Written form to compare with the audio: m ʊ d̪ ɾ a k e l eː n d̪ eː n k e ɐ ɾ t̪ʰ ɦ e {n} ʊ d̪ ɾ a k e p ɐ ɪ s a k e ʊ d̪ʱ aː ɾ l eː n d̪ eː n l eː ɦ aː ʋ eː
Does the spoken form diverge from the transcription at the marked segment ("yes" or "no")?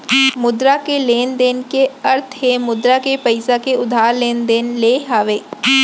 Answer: yes